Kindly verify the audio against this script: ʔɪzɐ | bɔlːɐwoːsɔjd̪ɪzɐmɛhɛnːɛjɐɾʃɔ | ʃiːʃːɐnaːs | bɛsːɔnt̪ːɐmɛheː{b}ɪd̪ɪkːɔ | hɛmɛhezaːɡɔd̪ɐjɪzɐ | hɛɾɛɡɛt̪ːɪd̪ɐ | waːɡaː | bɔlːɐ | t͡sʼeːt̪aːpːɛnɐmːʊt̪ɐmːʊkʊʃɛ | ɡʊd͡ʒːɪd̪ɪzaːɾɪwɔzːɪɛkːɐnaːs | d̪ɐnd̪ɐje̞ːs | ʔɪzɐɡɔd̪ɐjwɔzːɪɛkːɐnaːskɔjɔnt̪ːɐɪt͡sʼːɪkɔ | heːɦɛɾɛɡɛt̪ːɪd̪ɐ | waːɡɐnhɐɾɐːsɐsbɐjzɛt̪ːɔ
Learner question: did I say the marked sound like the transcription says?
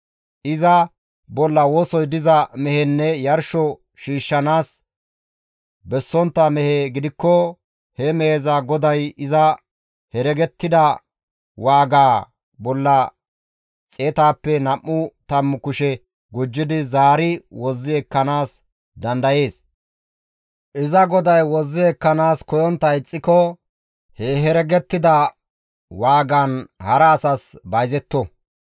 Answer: no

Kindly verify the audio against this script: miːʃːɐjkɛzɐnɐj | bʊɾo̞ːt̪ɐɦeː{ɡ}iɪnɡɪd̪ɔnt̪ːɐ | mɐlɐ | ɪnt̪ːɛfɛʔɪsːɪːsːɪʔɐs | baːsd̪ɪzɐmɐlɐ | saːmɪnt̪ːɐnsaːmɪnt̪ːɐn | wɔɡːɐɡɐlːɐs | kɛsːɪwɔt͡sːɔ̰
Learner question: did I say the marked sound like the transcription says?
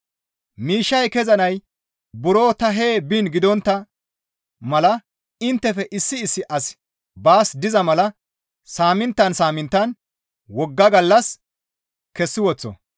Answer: no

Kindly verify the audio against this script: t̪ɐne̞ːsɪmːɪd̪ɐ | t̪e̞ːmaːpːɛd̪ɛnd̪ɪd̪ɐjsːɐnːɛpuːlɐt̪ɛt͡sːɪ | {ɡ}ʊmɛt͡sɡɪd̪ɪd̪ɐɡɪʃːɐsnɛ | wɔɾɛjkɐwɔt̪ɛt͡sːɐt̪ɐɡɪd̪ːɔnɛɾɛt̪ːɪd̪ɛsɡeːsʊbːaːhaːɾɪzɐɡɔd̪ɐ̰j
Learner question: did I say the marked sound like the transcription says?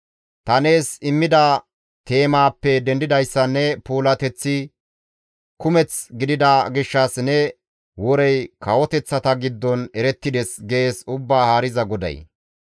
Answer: no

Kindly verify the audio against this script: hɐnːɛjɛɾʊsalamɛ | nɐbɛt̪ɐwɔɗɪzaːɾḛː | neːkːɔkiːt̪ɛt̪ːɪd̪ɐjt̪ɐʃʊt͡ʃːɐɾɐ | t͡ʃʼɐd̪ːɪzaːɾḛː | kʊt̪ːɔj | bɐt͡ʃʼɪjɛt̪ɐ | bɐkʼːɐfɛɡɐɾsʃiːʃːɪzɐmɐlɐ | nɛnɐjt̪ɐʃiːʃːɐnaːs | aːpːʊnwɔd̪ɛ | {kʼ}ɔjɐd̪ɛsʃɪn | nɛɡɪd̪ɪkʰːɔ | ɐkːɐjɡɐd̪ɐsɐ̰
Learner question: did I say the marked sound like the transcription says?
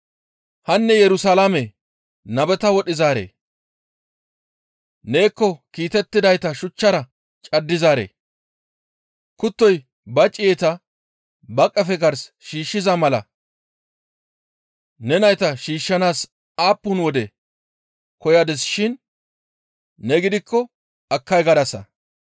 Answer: no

